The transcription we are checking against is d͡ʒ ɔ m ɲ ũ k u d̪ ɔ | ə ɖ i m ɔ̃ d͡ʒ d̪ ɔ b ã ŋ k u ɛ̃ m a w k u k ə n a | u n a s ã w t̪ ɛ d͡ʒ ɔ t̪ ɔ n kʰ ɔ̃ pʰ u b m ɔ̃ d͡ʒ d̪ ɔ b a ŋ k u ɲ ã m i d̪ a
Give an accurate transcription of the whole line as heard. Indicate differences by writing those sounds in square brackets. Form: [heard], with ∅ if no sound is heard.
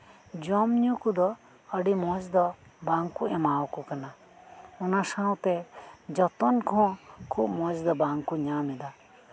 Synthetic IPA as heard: d͡ʒ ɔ m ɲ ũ k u d̪ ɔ | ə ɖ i m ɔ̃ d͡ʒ d̪ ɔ b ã ŋ k u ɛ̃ m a w k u k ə n a | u n a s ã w t̪ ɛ d͡ʒ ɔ t̪ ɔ n kʰ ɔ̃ [kʰ] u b m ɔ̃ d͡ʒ d̪ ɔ b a ŋ k u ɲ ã m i d̪ a